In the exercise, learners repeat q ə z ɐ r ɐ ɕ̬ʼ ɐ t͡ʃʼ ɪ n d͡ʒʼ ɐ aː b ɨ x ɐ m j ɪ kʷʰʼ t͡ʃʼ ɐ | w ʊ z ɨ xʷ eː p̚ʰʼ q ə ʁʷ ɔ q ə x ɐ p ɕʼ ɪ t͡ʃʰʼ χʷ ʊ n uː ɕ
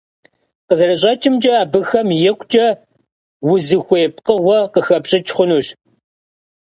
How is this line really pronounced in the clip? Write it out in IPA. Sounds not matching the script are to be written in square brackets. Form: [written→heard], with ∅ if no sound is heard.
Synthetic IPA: q ə z ɐ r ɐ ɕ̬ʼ ɐ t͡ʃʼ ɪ [n→m] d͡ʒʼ ɐ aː b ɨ x ɐ m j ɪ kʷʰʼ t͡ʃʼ ɐ | w ʊ z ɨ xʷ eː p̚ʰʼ q ə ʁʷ ɔ q ə x ɐ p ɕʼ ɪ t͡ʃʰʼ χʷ ʊ n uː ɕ